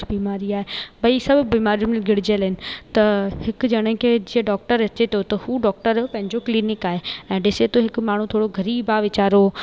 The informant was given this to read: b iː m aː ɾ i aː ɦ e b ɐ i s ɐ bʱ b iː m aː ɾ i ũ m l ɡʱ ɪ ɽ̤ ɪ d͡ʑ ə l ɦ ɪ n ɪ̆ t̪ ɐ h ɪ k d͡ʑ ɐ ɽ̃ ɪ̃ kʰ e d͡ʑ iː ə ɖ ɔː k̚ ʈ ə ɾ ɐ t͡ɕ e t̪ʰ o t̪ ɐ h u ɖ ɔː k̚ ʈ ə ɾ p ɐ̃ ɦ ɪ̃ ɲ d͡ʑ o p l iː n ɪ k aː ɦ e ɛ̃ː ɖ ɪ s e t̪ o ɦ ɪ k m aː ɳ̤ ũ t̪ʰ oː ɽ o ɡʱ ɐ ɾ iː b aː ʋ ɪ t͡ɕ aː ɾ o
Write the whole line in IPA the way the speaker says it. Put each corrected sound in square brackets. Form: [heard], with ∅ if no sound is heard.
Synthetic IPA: b iː m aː ɾ i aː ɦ e b ɐ i s ɐ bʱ b iː m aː ɾ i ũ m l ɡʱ ɪ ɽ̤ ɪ d͡ʑ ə l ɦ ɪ n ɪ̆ t̪ ɐ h ɪ k d͡ʑ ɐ ɽ̃ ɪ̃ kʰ e d͡ʑ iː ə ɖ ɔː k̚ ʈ ə ɾ ɐ t͡ɕ e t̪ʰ o t̪ ɐ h u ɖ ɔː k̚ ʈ ə ɾ p ɐ̃ ɦ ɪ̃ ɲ d͡ʑ o [k] l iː n ɪ k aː ɦ e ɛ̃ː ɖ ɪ s e t̪ o ɦ ɪ k m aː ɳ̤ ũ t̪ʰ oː ɽ o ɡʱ ɐ ɾ iː b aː ʋ ɪ t͡ɕ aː ɾ o